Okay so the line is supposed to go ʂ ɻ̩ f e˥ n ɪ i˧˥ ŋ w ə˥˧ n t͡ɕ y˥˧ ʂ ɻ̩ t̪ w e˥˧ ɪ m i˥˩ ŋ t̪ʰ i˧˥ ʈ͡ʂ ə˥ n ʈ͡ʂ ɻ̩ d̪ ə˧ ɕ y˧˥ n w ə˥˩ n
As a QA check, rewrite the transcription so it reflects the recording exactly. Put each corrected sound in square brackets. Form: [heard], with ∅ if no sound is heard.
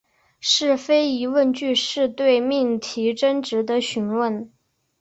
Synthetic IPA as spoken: ʂ ɻ̩ f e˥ [∅] ɪ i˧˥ [∅] w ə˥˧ n t͡ɕ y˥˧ ʂ ɻ̩ t̪ w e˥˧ ɪ m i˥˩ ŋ t̪ʰ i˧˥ ʈ͡ʂ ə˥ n ʈ͡ʂ ɻ̩ d̪ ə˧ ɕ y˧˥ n w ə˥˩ n